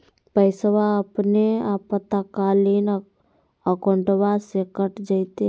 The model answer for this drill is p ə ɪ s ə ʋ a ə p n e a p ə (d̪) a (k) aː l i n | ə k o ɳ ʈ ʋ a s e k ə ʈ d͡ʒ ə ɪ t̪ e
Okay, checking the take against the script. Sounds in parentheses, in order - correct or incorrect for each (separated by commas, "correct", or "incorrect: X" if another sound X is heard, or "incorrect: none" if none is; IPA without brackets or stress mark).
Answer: incorrect: t̪, correct